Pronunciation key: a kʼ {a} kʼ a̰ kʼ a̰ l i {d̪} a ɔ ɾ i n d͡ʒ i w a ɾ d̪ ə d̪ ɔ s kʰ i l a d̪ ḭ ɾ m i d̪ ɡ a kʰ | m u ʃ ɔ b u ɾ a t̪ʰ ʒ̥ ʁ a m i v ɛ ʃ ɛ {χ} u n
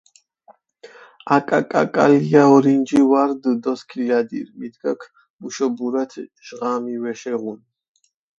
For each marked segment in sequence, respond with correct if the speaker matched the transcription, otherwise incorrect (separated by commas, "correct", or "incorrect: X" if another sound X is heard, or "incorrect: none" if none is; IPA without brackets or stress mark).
correct, incorrect: none, incorrect: ʁ